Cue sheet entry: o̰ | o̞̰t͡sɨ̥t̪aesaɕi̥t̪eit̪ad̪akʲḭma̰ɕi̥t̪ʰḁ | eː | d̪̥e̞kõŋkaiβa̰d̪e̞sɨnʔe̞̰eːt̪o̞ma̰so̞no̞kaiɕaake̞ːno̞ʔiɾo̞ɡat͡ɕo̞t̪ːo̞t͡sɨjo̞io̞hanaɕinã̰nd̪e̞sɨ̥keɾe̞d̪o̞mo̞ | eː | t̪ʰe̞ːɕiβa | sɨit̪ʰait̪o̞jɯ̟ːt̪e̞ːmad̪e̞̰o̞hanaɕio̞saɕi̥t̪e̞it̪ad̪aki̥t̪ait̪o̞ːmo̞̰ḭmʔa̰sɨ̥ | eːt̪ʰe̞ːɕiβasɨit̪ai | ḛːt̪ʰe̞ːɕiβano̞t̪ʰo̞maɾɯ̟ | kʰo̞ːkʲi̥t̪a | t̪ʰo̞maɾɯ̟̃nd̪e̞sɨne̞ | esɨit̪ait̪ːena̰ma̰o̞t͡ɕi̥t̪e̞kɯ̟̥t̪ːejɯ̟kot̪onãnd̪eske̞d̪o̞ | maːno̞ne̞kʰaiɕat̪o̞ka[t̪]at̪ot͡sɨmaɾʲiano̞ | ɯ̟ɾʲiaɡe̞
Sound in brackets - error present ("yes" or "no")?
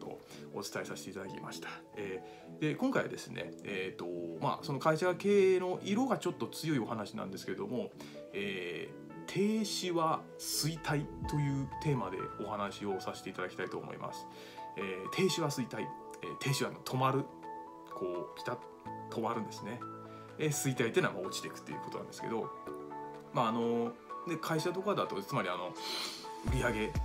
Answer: yes